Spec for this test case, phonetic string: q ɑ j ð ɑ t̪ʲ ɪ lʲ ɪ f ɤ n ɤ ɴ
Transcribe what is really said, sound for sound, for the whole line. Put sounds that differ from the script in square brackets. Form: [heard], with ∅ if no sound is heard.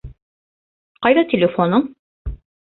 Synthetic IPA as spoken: q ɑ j ð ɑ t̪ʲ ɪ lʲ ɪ f [o] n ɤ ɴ